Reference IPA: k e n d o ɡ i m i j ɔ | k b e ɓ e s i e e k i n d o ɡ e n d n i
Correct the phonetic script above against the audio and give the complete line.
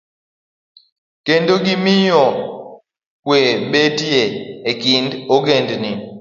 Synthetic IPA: k e n d o ɡ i m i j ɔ | k w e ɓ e t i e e k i n d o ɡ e n d n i